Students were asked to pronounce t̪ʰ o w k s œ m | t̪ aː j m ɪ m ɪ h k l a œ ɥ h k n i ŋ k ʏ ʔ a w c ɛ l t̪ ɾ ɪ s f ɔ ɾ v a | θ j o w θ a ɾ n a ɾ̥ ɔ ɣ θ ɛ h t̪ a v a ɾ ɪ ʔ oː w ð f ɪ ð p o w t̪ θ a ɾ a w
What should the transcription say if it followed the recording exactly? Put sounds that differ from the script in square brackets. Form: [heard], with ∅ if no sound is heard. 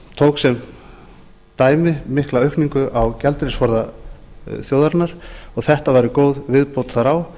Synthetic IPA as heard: t̪ʰ o w k s [ɛ] m | t̪ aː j m ɪ m ɪ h k l a œ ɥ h k n i ŋ k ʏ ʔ a w c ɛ l t̪ ɾ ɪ s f ɔ ɾ [ð] a | θ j o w [ð] a ɾ n a ɾ̥ ɔ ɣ θ ɛ h t̪ a v a ɾ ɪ [k] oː w ð [v] ɪ ð p o w t̪ θ a ɾ a w

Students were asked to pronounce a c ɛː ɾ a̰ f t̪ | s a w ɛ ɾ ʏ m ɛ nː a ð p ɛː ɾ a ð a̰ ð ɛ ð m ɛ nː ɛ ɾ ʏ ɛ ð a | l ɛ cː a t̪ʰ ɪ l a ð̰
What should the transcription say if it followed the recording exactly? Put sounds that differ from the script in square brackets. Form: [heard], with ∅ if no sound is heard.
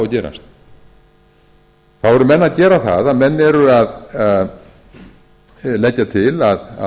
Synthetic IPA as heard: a c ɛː ɾ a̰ [s] t̪ | [θ] a w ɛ ɾ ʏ m ɛ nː a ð [c] ɛː ɾ a [θ] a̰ ð [a] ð m ɛ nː ɛ ɾ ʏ [a] ð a | l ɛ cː a t̪ʰ ɪ l a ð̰

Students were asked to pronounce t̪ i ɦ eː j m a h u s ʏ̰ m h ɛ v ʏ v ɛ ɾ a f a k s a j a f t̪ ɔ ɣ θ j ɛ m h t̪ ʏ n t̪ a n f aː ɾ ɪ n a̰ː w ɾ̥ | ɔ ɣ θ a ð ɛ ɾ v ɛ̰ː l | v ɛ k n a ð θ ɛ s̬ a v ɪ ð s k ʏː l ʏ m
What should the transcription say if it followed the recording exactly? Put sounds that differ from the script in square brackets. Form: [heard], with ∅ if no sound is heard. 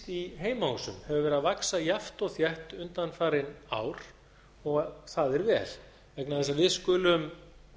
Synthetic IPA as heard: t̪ i ɦ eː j m a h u s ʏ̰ m h ɛ v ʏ v ɛ ɾ a [v] a k s a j a f t̪ ɔ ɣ θ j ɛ [∅] h t̪ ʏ n t̪ a n f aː ɾ ɪ n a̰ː w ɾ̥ | ɔ ɣ θ a ð ɛ ɾ v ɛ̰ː l | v ɛ k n a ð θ ɛ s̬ a v ɪ ð s k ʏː l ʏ m

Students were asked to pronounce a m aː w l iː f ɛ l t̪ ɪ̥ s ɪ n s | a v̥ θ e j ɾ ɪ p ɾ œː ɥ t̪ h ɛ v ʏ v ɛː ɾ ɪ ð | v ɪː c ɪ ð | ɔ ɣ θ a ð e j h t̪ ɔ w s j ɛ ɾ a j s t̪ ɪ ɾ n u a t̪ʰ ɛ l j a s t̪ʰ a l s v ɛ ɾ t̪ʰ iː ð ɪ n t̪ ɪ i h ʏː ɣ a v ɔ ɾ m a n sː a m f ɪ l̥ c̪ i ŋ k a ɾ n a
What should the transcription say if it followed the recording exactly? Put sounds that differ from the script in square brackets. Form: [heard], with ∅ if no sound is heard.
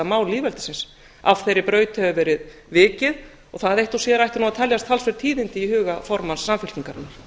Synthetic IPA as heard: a m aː w l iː [v] ɛ l t̪ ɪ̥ s ɪ n s | a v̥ θ e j ɾ ɪ p ɾ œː ɥ t̪ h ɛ v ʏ v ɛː ɾ ɪ ð | v ɪː c ɪ ð | ɔ ɣ θ a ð e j h t̪ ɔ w s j ɛ ɾ a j [h] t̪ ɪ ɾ n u a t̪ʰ ɛ l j a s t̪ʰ a l s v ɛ ɾ t̪ʰ iː ð ɪ n t̪ ɪ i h ʏː ɣ a [f] ɔ ɾ m a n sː a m f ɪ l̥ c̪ i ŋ k a ɾ n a

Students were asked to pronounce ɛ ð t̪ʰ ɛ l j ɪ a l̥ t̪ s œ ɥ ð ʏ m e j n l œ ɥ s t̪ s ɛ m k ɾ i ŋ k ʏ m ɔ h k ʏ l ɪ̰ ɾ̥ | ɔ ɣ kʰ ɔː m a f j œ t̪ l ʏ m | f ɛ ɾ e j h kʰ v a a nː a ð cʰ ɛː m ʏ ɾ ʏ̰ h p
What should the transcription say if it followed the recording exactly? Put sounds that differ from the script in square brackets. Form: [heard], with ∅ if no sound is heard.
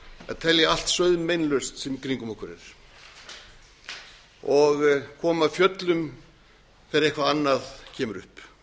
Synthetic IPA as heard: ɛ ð t̪ʰ ɛ l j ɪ a l̥ t̪ s œ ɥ ð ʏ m e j n l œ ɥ s t̪ s ɛ m k ɾ i ŋ k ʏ m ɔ h k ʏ [ɾ] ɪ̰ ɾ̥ | ɔ ɣ kʰ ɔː m a f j œ t̪ l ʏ m | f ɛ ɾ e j h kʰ v a a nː a ð cʰ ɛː m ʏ ɾ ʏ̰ h p

